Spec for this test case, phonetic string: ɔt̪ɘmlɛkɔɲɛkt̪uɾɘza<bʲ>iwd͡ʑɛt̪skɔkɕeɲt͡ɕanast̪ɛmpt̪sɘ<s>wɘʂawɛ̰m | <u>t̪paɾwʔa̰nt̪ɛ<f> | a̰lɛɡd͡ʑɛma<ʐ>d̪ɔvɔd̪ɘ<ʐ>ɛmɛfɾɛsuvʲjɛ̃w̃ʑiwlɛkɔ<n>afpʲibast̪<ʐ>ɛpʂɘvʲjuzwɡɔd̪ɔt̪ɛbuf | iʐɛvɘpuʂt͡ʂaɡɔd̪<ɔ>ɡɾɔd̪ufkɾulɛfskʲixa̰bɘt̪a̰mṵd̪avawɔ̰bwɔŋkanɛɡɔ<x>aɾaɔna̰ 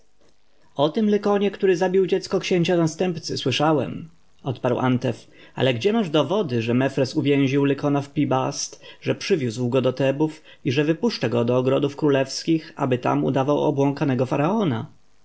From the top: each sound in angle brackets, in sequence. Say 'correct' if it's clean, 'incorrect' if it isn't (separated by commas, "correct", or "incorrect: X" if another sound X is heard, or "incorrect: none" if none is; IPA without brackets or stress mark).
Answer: correct, correct, incorrect: ɔ, correct, correct, correct, correct, correct, incorrect: ɔː, incorrect: f